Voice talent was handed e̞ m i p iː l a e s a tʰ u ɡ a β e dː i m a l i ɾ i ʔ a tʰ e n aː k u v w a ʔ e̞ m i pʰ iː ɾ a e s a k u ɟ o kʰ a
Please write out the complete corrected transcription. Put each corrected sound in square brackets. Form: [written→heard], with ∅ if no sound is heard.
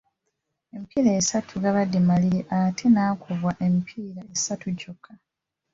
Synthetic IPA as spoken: e̞ m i p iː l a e s a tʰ u ɡ a β [e→a] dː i m a l i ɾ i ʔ a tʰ e n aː k u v w a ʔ e̞ m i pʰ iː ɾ a e s a [k→t] u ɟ o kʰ a